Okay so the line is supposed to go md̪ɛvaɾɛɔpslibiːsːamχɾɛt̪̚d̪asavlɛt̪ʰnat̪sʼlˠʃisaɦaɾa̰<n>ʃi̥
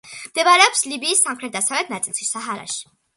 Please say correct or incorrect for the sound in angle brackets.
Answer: incorrect